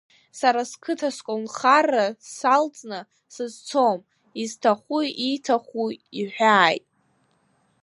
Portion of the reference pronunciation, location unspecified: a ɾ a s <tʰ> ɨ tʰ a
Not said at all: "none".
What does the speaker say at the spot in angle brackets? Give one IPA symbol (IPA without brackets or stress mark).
kʰ